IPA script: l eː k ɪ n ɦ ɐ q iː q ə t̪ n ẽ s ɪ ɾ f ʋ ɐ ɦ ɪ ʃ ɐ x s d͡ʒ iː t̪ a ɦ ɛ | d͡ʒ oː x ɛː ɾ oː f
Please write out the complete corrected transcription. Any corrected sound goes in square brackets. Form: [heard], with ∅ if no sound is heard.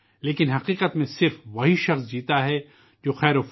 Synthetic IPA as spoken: l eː k ɪ n ɦ ɐ q iː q ə t̪ [m] ẽ s ɪ ɾ f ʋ ɐ ɦ [i] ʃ ɐ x s d͡ʒ iː t̪ a ɦ ɛ | d͡ʒ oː x ɛː ɾ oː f